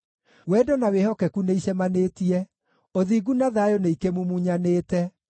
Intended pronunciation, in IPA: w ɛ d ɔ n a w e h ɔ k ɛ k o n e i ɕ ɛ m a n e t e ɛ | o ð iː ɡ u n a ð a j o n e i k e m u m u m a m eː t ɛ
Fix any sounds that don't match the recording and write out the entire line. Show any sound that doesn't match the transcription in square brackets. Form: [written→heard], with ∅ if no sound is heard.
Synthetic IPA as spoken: w ɛ d ɔ n a w e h ɔ k ɛ k [o→u] n e i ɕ ɛ m a n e t [e→i] ɛ | o ð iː ɡ u n a ð a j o n e i k e m u m u [m→ɲ] a [m→n] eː t ɛ